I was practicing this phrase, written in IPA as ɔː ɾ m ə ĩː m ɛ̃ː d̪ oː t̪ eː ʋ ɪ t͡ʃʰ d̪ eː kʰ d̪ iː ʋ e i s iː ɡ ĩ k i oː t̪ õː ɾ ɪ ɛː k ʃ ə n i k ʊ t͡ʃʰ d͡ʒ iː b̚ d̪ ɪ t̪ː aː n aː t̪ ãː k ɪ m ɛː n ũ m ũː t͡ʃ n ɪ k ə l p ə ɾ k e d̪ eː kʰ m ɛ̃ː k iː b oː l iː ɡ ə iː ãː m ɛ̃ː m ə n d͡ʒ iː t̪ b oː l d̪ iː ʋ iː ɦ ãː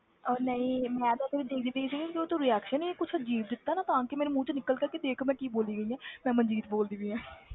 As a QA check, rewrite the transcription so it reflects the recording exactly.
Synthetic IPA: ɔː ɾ n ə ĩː m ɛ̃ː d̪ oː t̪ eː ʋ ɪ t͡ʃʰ d̪ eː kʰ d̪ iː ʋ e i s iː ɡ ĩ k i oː t̪ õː ɾ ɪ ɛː k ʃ ə n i k ʊ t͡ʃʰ d͡ʒ iː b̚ d̪ ɪ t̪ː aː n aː t̪ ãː k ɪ m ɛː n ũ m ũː t͡ʃ n ɪ k ə l k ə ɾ k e d̪ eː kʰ m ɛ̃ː k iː b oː l iː ɡ ə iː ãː m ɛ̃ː m ə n d͡ʒ iː t̪ b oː l d̪ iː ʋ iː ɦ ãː

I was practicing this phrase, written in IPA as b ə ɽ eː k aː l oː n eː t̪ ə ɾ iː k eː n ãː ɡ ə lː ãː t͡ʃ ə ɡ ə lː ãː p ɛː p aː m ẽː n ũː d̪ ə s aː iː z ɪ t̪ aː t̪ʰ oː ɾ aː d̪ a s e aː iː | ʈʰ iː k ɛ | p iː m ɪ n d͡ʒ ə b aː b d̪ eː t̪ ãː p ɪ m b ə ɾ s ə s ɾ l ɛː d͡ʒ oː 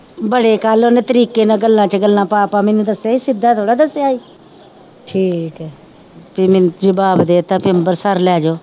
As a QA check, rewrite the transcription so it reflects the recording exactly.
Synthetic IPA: b ə ɽ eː k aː l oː n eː t̪ ə ɾ iː k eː n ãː ɡ ə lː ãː t͡ʃ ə ɡ ə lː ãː p aː p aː m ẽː n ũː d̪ ə s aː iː s ɪ d̪ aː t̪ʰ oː ɽ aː d̪ ə s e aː iː | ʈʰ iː k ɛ | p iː m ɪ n d͡ʒ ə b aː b d̪ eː t̪ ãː p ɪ m b ə ɾ s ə ɾ l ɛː d͡ʒ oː

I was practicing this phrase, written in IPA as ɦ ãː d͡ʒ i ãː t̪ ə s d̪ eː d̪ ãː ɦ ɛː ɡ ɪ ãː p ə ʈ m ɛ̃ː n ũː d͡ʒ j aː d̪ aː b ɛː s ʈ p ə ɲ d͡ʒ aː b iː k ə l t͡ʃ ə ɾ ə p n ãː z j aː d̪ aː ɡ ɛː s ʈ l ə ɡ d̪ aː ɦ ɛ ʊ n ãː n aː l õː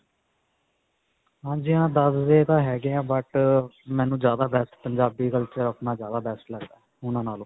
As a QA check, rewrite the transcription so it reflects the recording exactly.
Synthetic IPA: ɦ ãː d͡ʒ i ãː d̪ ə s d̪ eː t̪ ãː ɦ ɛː ɡ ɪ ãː b ə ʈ m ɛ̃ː n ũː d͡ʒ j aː d̪ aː b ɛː s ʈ p ə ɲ d͡ʒ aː b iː k ə l t͡ʃ ə ɾ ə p n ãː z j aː d̪ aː b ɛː s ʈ l ə ɡ d̪ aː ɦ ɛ ʊ n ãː n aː l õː

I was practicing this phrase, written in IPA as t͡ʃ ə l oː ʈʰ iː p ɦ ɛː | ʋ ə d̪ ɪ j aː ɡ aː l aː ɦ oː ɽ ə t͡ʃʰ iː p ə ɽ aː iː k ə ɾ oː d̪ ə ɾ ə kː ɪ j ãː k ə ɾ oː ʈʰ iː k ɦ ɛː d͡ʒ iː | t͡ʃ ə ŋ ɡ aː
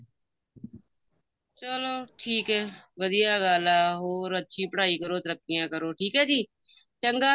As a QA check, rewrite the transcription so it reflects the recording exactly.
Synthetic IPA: t͡ʃ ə l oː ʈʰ iː k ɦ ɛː | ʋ ə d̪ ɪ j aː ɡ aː l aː ɦ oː ɾ ə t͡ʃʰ iː p ə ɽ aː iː k ə ɾ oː t̪ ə ɾ ə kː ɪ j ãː k ə ɾ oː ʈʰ iː k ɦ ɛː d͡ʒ iː | t͡ʃ ə ŋ ɡ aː

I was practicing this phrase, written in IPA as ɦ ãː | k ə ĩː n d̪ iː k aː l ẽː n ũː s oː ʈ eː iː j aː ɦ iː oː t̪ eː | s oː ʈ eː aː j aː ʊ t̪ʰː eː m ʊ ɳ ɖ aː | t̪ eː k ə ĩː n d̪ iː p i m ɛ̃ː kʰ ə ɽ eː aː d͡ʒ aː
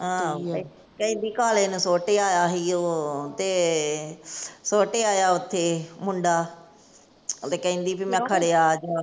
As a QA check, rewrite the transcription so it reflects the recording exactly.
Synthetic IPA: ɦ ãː | k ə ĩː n d̪ iː k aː l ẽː n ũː s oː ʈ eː aː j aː ɦ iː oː t̪ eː | s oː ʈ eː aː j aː ʊ t̪ʰː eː m ʊ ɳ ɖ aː | t̪ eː k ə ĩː n d̪ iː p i m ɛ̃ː kʰ ə ɽ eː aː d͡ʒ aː

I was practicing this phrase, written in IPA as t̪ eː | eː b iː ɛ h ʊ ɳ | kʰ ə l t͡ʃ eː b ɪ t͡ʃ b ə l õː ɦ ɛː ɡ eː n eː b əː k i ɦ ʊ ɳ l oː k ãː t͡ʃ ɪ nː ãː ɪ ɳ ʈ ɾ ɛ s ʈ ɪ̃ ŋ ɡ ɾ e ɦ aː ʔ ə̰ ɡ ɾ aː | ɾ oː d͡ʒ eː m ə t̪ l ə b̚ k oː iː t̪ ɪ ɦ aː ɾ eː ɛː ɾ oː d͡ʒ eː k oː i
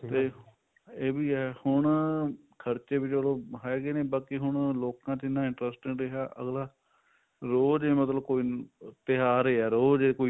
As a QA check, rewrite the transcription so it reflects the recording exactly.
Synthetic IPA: t̪ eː | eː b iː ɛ h ʊ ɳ | kʰ ə ɾ t͡ʃ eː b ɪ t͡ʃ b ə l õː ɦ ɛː ɡ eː n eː b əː k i ɦ ʊ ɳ l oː k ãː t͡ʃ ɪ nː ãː ɪ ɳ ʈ ɾ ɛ s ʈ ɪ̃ ŋ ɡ ɾ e ɦ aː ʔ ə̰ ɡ l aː | ɾ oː d͡ʒ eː m ə t̪ l ə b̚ k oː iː t̪ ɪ ɦ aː ɾ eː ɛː ɾ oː d͡ʒ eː k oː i

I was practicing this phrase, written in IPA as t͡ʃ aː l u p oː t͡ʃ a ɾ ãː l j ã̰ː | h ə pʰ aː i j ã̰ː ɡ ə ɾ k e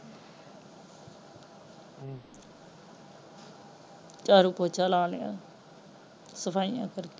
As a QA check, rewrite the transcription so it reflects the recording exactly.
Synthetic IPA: t͡ʃ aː ɾ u p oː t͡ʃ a l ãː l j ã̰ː | s ə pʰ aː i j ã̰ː k ə ɾ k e

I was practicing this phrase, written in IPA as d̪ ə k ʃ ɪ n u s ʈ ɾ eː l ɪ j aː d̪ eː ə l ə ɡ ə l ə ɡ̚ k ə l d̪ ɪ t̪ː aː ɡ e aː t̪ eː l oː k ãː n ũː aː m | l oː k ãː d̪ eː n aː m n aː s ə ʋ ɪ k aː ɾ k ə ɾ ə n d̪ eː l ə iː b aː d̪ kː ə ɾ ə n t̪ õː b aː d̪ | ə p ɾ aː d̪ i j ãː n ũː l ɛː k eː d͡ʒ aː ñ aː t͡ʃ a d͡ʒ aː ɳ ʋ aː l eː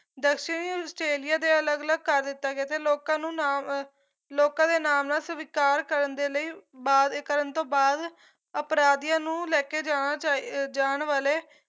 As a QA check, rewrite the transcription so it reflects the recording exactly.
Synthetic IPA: d̪ ə k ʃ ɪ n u s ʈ ɾ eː l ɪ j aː d̪ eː ə l ə ɡ ə l ə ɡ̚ k ə ɾ d̪ ɪ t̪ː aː ɡ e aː t̪ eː l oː k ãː n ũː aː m | l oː k ãː d̪ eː n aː m n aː s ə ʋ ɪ k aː ɾ k ə ɾ ə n d̪ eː l ə iː b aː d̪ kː ə ɾ ə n t̪ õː b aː d̪ | ə p ɾ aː d̪ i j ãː n ũː l ɛː k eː d͡ʒ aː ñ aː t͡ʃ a d͡ʒ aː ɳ ʋ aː l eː

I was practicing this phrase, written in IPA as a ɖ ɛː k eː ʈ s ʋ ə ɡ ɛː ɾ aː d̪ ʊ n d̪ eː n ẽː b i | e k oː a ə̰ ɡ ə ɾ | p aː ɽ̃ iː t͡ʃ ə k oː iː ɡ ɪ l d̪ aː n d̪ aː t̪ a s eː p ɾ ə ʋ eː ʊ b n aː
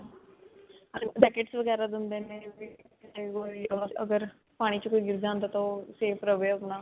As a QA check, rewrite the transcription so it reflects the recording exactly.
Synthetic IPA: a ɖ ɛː k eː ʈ s ʋ ə ɡ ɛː ɾ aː d̪ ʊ n d̪ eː n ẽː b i | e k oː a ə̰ ɡ ə ɾ | p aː ɽ̃ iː t͡ʃ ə k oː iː ɡ ɪ ɾ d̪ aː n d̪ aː t̪ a s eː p ɾ ə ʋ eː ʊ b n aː

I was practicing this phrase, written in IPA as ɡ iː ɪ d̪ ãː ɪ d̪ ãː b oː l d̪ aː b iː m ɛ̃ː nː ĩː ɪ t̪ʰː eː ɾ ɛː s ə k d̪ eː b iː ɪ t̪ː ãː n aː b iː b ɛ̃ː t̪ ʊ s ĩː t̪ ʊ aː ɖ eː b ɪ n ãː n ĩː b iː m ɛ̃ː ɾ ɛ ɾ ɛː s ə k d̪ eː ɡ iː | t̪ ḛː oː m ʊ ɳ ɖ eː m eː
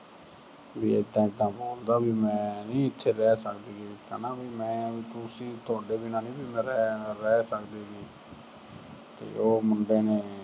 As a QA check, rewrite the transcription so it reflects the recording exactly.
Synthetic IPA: b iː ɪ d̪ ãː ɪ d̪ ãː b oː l d̪ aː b iː m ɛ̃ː n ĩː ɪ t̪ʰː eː ɾ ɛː s ə k d̪ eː ɡ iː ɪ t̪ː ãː n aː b iː m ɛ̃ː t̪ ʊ s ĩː t̪ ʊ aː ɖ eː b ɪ n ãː n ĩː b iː m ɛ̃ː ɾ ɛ ɾ ɛː s ə k d̪ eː ɡ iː | t̪ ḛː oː m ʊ ɳ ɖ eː n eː

